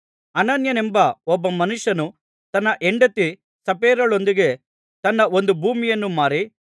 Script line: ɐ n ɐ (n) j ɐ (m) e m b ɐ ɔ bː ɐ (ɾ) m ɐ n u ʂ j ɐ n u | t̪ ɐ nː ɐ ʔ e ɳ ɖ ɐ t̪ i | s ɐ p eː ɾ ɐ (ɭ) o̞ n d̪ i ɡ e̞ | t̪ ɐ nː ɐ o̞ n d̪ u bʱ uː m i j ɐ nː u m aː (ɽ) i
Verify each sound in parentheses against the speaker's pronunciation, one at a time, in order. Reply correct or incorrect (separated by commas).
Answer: correct, incorrect, incorrect, correct, incorrect